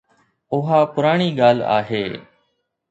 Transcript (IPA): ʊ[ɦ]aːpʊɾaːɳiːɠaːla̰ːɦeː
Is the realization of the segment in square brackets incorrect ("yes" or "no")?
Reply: no